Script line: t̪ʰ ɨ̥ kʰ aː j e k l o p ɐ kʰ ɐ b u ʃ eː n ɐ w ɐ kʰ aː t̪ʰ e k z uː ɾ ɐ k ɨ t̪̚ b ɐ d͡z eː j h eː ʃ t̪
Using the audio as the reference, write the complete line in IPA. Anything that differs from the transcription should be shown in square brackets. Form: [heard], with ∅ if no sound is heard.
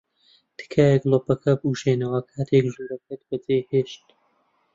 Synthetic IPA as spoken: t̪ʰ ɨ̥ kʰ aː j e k l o p ɐ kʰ ɐ b u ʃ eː n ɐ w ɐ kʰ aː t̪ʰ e k [ʒ] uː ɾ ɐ k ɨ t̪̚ b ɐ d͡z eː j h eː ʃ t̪